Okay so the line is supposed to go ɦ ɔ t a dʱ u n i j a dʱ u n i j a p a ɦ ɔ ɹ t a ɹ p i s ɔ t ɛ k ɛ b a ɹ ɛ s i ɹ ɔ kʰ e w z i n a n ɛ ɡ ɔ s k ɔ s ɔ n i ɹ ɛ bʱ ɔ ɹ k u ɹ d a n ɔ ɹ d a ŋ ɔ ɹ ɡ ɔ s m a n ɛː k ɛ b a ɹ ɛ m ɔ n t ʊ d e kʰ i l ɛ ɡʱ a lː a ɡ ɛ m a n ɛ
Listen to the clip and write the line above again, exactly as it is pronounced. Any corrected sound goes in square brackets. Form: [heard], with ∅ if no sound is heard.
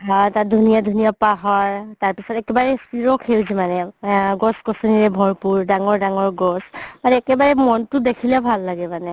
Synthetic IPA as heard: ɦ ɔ t a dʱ u n i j a dʱ u n i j a p a ɦ ɔ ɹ t a ɹ p i s ɔ t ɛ k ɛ b a ɹ ɛ s i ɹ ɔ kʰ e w z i [m] a n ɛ ɡ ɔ s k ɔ s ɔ n i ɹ ɛ bʱ ɔ ɹ [p] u ɹ d a [ŋ] ɔ ɹ d a ŋ ɔ ɹ ɡ ɔ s m a n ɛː k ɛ b a ɹ ɛ m ɔ n t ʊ d e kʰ i l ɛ [bʱ] a lː a ɡ ɛ m a n ɛ